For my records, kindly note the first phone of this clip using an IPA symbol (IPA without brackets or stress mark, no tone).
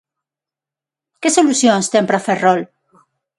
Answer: k